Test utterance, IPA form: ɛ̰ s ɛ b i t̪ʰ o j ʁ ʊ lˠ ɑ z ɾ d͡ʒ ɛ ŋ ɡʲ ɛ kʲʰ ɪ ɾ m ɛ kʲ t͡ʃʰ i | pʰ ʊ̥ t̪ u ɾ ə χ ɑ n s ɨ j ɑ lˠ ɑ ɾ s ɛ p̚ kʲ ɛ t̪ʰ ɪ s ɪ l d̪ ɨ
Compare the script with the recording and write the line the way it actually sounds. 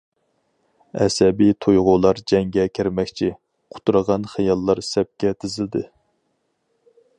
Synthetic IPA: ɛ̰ s ɛ b i t̪ʰ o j ʁ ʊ lˠ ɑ ɾ d͡ʒ ɛ ŋ ɡʲ ɛ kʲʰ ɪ ɾ m ɛ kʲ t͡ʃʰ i | qʰ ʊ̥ t̪ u ɾ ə ʁ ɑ n χ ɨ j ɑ lˠː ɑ ɾ s ɛ p̚ kʲ ɛ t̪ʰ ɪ z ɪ l d̪ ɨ